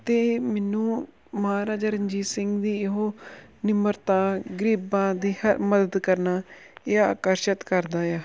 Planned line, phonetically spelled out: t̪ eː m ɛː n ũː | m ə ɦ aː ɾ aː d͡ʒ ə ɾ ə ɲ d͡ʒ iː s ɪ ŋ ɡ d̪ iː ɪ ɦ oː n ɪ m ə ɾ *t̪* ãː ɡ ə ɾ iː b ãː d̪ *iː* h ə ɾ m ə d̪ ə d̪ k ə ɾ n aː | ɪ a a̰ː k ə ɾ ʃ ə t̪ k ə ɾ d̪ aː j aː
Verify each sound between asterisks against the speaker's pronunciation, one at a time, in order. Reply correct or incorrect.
correct, correct

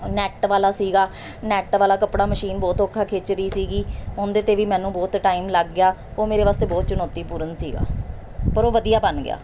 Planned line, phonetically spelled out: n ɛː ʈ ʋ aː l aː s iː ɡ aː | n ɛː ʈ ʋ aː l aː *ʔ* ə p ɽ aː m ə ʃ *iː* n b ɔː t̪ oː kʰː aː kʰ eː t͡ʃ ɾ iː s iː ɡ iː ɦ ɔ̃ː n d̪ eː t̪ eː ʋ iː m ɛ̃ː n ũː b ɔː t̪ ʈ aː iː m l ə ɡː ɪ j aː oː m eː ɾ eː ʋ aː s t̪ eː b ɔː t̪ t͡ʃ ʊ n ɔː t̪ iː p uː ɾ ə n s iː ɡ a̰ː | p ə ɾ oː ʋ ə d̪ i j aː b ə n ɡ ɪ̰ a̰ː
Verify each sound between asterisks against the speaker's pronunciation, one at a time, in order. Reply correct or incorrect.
incorrect: k, correct

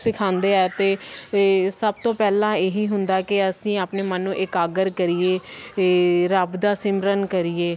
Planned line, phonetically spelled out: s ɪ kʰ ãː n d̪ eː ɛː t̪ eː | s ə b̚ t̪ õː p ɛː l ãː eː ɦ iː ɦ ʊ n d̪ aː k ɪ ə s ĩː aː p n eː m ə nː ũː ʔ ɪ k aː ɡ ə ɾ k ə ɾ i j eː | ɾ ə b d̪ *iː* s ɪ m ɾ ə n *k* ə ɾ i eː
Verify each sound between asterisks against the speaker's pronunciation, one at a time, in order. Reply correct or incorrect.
incorrect: aː, correct

